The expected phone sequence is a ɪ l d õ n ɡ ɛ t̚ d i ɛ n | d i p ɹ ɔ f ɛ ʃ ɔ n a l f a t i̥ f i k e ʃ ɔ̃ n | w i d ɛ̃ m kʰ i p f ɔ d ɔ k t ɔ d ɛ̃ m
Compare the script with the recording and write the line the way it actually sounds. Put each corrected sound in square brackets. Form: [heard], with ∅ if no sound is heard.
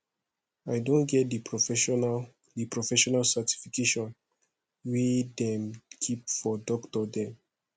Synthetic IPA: a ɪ [∅] d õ n ɡ ɛ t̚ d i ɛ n | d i p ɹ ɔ f ɛ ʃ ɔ n a l [s] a t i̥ f i k e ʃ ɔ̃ n | w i d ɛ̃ m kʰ i p f ɔ d ɔ k t ɔ d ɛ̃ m